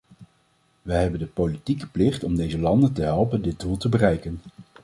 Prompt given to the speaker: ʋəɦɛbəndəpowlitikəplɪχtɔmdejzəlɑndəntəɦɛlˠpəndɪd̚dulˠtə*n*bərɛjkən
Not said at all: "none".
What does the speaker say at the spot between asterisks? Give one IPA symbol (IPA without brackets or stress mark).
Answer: none